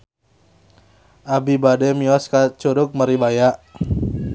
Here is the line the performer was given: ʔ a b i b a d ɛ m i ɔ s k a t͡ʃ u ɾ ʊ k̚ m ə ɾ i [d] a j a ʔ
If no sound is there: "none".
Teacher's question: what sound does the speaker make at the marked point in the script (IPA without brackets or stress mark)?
b